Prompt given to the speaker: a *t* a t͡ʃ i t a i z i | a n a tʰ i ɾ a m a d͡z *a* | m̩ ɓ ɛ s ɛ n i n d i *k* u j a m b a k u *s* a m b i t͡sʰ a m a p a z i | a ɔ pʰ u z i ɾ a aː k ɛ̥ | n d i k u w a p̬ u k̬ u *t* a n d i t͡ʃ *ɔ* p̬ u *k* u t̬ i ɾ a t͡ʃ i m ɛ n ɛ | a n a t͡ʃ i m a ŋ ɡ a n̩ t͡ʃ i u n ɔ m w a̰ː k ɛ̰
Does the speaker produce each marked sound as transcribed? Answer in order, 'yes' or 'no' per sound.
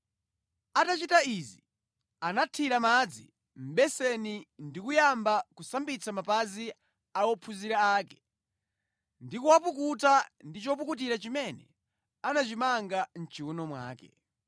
yes, no, yes, yes, yes, yes, yes

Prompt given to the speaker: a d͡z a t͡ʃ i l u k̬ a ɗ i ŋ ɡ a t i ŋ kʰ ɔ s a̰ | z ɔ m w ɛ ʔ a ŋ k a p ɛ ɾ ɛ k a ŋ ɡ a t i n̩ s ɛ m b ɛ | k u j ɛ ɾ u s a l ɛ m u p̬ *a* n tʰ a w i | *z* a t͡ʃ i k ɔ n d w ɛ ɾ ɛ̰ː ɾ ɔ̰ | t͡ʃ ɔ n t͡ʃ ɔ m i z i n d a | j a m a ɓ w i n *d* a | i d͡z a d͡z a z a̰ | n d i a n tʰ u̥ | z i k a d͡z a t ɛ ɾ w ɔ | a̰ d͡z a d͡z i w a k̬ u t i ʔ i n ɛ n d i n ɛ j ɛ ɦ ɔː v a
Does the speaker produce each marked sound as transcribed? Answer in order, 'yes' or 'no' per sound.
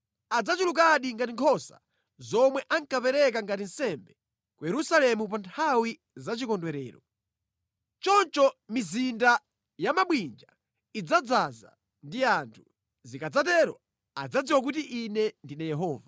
yes, yes, no

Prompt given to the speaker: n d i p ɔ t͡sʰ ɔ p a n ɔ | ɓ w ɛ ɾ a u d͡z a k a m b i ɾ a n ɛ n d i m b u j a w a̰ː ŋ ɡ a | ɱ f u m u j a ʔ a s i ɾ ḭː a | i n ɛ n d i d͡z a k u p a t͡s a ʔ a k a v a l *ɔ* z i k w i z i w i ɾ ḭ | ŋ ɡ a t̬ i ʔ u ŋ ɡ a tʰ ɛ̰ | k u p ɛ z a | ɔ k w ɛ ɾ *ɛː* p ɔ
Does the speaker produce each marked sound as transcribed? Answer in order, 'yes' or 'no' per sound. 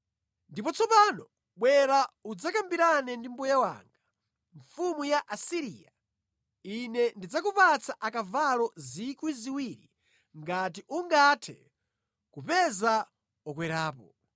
yes, no

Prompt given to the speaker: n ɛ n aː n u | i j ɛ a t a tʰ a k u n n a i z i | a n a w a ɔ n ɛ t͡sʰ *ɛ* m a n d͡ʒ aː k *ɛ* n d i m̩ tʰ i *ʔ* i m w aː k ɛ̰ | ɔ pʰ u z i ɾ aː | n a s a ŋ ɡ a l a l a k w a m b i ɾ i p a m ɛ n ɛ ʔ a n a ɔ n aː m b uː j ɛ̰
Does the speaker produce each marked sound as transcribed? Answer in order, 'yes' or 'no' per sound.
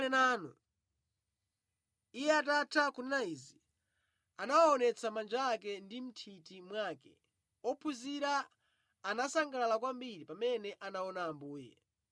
no, yes, no

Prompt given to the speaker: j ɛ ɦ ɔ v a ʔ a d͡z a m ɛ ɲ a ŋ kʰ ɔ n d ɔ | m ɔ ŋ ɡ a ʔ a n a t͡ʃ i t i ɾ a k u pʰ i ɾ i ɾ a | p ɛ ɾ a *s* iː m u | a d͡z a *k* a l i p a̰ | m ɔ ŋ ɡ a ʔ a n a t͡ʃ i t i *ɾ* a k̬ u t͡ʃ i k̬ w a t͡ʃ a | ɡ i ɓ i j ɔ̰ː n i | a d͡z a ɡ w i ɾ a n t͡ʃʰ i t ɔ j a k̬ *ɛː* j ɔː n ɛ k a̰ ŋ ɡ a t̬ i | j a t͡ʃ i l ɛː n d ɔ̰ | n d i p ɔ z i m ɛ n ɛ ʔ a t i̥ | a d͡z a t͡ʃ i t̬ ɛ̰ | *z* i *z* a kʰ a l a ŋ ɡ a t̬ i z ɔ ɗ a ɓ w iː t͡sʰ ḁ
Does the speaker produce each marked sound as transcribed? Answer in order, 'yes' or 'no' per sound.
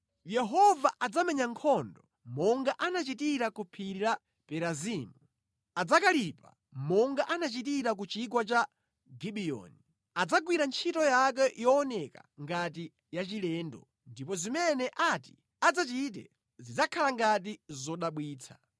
no, yes, yes, no, yes, no

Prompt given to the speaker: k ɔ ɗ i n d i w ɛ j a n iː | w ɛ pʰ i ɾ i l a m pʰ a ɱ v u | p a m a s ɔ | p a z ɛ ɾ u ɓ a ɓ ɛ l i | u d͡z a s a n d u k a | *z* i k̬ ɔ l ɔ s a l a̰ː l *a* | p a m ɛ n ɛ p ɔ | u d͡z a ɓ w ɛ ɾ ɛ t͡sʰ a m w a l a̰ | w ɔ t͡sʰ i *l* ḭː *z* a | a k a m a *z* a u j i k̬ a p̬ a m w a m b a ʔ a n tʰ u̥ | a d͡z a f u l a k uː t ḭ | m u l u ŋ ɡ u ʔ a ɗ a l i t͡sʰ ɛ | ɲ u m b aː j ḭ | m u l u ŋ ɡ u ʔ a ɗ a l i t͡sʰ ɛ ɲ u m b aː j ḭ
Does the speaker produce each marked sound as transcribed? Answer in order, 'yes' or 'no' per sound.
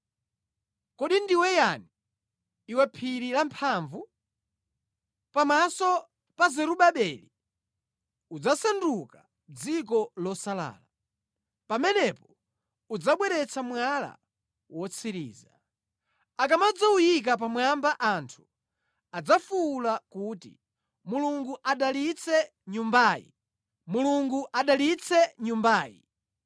no, yes, no, yes, no

